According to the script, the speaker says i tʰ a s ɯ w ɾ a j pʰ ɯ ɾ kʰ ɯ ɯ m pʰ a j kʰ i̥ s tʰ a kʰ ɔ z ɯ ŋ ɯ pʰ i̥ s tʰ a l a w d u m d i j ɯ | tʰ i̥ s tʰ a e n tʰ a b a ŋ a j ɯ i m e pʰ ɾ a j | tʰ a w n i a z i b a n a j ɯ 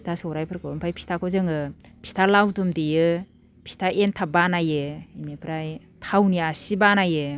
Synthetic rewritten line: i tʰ a s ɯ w ɾ a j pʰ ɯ ɾ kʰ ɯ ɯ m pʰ a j pʰ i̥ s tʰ a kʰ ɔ z ɯ ŋ ɯ pʰ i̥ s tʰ a l a w d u m d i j ɯ | pʰ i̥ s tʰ a e n tʰ a b a n a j ɯ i m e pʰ ɾ a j | tʰ a w n i a s i b a n a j ɯ